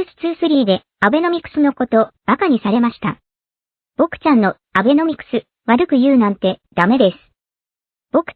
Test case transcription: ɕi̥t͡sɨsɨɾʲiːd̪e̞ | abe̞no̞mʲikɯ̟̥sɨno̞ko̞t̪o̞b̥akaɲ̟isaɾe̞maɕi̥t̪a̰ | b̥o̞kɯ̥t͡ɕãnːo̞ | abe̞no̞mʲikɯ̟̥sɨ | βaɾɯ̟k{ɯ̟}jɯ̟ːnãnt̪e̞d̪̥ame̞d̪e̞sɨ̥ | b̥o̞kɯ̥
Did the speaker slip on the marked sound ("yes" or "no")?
no